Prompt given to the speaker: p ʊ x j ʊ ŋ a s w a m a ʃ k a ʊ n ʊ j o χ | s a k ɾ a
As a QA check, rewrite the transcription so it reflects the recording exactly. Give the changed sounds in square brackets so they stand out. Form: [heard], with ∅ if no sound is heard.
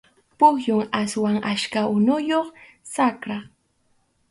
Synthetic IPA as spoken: p ʊ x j ʊ ŋ a s w a [ŋ] a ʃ k a ʊ n ʊ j o χ | s a k ɾ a